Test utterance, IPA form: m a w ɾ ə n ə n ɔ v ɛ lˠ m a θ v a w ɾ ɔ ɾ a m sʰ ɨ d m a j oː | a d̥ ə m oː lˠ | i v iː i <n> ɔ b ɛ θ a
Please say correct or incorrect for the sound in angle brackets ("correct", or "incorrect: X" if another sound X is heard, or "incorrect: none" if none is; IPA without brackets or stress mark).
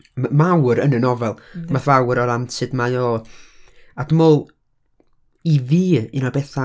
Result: correct